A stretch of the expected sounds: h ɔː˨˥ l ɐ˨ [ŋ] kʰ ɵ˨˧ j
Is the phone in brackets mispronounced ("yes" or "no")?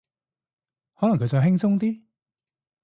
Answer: no